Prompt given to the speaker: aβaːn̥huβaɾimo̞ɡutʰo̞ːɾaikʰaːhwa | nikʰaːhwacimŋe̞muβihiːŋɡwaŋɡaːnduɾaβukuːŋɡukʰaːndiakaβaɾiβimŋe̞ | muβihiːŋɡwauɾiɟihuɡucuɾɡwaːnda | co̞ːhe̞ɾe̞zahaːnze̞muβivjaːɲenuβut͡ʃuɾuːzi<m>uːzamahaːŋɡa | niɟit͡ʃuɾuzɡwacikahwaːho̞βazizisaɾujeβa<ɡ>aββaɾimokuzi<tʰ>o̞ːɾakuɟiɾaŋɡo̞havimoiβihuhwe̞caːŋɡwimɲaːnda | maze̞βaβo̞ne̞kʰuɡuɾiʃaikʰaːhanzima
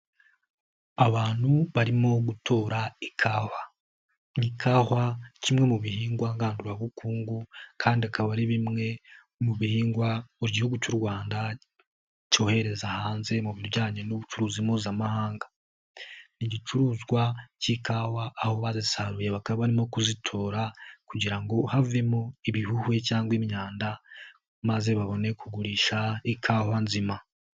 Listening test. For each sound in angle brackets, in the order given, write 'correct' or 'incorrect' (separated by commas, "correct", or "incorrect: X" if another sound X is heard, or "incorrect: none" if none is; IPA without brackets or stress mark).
correct, incorrect: k, correct